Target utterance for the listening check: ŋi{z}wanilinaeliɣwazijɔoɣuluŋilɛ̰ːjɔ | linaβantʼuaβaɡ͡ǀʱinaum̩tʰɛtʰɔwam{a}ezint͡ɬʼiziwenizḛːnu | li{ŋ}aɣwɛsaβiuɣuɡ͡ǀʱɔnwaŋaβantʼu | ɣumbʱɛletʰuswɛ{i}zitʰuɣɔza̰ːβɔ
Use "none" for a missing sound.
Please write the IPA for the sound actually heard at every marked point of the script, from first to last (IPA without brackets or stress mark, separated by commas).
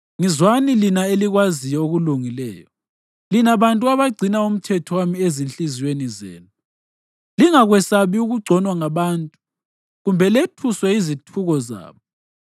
z, i, ŋ, i